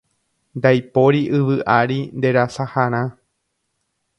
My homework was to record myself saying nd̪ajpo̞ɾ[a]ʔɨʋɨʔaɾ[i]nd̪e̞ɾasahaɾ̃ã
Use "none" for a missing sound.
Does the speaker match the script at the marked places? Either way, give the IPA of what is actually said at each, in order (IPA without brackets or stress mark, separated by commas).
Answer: i, i